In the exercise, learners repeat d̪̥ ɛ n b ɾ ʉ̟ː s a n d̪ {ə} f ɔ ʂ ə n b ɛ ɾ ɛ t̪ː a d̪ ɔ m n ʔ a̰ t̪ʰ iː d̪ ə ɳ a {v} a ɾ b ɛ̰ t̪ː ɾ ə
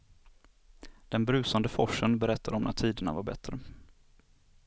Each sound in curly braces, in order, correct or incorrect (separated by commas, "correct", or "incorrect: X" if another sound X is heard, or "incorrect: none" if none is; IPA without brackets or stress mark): correct, correct